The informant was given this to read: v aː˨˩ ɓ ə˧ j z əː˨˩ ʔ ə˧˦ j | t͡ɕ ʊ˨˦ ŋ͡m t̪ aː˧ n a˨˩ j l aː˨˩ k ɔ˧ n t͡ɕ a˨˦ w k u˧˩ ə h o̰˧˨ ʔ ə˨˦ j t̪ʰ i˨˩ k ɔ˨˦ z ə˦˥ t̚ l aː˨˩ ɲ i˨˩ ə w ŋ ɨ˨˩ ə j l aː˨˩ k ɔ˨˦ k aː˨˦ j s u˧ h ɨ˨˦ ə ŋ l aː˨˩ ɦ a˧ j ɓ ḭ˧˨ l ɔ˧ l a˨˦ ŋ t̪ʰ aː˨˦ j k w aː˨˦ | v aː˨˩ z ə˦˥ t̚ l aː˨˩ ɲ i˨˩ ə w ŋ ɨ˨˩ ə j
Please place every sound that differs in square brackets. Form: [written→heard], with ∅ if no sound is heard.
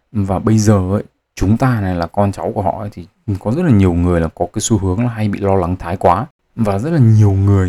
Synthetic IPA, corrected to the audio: v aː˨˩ ɓ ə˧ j z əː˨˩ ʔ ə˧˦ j | t͡ɕ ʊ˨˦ ŋ͡m t̪ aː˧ n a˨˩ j l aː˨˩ k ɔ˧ n t͡ɕ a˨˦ w k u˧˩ ə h [o̰˧˨→ɔ̰˧˨] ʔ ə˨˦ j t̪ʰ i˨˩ k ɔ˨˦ z ə˦˥ t̚ l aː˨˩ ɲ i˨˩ ə w ŋ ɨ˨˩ ə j l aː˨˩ k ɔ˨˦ k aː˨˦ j s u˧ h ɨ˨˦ ə ŋ l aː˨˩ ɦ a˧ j ɓ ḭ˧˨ l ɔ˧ l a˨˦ ŋ t̪ʰ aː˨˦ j k w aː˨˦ | v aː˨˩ z ə˦˥ t̚ l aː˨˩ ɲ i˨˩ ə w ŋ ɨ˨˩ ə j